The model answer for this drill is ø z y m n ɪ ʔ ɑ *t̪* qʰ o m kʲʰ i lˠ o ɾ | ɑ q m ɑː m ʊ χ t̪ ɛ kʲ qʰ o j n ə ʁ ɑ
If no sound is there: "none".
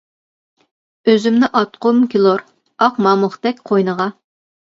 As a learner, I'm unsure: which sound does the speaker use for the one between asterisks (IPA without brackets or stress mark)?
t̪